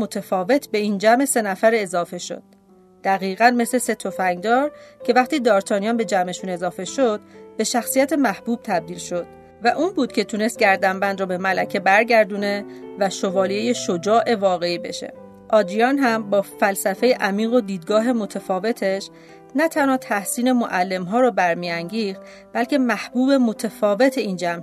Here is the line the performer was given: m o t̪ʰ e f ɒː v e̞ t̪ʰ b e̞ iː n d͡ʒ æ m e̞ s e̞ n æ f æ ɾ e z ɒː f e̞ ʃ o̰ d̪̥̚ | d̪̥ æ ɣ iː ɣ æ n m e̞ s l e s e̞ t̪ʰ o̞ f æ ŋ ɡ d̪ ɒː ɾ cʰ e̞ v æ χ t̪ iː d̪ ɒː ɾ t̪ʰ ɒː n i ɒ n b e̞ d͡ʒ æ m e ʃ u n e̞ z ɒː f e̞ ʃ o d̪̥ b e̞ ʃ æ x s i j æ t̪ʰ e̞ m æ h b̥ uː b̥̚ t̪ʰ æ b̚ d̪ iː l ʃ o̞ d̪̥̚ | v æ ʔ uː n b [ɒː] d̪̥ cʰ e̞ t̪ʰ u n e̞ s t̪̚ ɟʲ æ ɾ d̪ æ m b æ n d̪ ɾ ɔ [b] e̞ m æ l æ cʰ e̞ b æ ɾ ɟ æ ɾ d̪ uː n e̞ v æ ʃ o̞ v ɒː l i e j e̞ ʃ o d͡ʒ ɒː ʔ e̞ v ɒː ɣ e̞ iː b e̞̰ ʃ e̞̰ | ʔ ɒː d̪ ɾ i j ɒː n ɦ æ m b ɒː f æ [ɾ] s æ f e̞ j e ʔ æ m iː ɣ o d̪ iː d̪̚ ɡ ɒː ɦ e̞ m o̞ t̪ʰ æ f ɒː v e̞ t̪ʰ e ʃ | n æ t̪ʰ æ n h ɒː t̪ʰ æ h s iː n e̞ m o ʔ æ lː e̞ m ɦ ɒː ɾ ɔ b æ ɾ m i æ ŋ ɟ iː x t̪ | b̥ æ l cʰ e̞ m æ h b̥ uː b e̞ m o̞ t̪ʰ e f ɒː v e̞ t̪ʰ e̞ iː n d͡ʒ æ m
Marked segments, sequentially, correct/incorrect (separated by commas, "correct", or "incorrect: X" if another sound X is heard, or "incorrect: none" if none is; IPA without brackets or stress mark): incorrect: uː, correct, incorrect: l